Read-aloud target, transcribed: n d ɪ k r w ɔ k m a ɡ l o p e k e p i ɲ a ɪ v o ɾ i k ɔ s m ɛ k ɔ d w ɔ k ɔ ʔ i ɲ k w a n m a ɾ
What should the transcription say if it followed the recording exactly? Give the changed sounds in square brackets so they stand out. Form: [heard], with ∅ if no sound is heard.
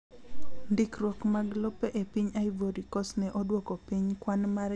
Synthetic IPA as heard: n d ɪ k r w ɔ k m a ɡ l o p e [ʔ] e p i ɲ a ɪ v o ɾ i k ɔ s [n] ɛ [ʔ] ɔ d w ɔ k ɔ [p] i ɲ k w a n m a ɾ